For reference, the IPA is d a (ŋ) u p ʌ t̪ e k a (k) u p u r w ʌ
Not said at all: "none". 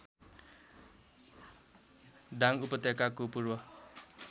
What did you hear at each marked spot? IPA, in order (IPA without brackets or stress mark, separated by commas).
ŋ, k